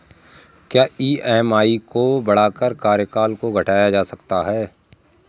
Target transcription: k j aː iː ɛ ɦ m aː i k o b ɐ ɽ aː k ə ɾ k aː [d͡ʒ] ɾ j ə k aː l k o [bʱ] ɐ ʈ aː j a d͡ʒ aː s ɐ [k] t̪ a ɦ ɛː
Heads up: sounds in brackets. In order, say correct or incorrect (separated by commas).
incorrect, incorrect, correct